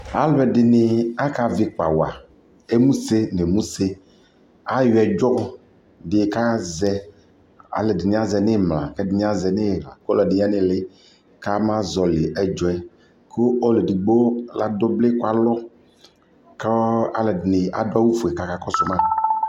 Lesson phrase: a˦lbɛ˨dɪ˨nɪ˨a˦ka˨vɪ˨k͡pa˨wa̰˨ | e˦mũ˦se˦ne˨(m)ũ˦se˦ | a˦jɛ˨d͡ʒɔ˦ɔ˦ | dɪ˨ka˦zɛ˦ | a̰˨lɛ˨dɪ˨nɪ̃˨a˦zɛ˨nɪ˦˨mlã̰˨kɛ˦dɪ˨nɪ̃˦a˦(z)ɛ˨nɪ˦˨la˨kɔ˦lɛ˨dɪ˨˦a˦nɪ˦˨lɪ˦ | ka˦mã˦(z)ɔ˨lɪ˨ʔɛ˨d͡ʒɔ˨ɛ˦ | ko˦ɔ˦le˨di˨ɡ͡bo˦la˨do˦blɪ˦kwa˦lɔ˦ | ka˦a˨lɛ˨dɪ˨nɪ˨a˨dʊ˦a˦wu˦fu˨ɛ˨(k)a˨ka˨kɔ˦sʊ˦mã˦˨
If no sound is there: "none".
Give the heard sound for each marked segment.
m, z, z, k

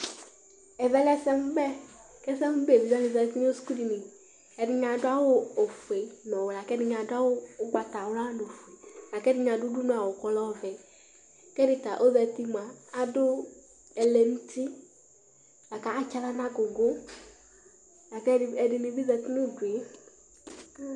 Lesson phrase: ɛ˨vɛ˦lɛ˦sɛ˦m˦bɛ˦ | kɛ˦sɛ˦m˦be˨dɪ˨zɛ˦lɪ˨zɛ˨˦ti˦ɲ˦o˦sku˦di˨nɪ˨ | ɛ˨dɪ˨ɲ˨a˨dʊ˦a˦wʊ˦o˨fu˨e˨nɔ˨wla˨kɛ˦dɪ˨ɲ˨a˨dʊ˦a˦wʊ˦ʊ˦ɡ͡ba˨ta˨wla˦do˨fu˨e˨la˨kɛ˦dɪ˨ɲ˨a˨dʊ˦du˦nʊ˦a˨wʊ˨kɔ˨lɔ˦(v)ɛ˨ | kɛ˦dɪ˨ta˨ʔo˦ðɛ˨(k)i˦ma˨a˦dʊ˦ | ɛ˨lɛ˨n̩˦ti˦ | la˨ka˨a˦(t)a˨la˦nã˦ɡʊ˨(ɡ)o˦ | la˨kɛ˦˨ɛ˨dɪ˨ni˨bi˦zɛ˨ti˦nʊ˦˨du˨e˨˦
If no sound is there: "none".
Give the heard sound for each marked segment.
v, t, t͡ʃ, ɡ

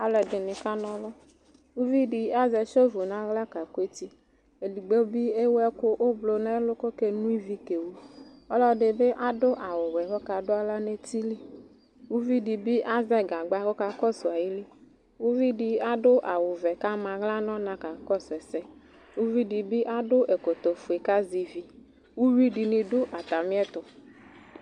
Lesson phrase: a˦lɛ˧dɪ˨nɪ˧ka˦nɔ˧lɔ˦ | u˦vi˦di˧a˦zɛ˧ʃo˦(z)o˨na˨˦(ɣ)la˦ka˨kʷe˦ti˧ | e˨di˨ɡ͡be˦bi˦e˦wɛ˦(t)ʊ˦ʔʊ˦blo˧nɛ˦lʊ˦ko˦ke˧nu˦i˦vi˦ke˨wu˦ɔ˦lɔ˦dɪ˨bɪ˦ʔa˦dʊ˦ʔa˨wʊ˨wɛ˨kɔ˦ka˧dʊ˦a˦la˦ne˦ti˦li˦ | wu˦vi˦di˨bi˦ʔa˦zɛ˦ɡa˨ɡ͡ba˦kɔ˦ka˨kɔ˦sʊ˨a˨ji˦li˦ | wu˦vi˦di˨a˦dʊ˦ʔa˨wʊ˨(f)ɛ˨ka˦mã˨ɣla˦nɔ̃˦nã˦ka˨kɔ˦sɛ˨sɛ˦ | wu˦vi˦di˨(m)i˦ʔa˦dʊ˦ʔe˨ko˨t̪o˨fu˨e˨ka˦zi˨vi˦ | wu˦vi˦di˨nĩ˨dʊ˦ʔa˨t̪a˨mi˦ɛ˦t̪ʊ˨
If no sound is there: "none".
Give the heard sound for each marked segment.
v, ɣ, k, v, b

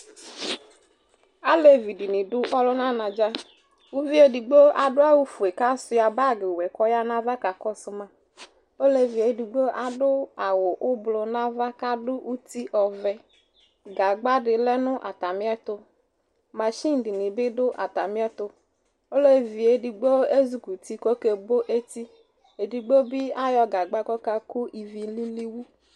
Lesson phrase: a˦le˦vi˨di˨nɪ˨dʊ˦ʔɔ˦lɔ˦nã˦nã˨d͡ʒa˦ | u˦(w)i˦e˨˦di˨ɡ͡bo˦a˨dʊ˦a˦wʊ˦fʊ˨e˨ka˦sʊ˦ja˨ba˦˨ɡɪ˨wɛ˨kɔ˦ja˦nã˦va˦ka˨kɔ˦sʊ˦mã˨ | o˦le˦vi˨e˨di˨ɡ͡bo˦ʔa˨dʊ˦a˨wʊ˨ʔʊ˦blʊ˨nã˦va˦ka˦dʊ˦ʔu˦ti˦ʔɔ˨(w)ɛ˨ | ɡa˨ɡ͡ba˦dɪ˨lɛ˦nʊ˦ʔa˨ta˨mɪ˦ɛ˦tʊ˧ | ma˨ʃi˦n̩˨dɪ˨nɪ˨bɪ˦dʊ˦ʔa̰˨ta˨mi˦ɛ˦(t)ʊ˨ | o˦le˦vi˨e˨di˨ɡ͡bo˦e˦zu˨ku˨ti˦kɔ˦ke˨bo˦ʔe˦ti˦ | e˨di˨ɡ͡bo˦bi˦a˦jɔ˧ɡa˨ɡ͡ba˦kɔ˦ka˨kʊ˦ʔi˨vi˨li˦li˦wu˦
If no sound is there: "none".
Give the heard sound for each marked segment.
v, v, t

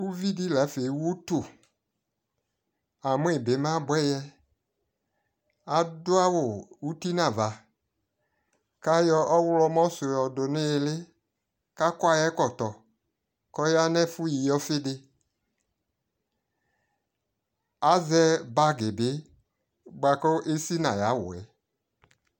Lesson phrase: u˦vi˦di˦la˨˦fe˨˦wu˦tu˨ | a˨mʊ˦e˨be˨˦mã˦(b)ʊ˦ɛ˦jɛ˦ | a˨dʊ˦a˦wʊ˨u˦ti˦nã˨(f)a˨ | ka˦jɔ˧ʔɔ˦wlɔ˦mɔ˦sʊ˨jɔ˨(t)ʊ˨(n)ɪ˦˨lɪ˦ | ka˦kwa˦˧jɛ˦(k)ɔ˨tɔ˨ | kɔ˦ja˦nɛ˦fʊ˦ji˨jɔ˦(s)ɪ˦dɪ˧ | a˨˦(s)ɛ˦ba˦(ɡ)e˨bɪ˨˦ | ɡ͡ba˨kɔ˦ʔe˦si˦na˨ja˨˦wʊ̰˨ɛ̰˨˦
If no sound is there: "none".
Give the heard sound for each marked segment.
b, v, d, n, k, f, z, ɡ

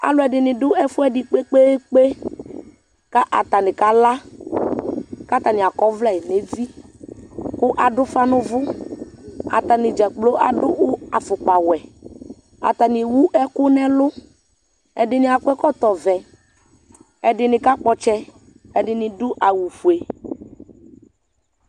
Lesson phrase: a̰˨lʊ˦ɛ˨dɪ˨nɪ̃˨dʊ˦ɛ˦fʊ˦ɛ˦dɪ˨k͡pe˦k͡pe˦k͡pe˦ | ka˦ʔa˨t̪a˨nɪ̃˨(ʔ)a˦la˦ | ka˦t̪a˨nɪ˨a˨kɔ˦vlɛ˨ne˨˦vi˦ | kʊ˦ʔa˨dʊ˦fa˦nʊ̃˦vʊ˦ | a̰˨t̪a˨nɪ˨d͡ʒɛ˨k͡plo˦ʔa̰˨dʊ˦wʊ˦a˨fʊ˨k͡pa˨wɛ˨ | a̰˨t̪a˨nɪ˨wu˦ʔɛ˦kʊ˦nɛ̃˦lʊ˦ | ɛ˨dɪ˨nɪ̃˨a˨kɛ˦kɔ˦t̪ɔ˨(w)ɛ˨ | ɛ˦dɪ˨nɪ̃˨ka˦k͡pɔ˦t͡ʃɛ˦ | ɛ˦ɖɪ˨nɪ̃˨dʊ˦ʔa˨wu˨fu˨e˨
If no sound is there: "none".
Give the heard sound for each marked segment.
k, v

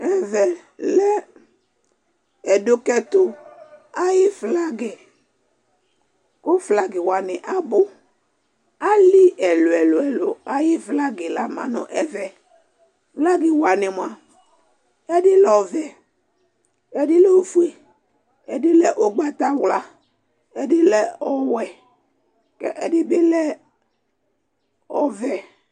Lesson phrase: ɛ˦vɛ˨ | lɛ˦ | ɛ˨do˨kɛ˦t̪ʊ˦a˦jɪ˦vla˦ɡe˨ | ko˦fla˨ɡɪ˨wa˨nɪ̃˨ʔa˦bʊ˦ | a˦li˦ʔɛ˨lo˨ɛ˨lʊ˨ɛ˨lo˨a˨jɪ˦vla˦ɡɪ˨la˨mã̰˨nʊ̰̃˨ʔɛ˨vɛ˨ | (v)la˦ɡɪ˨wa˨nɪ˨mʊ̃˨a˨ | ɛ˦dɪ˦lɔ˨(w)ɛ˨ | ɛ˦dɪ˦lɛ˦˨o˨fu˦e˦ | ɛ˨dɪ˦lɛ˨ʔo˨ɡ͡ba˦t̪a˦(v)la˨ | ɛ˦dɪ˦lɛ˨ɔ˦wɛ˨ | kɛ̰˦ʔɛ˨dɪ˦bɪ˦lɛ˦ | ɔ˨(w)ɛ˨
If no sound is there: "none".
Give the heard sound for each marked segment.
v, v, w, v

